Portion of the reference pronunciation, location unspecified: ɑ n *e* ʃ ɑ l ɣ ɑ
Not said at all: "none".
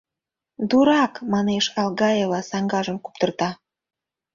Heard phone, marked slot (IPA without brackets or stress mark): e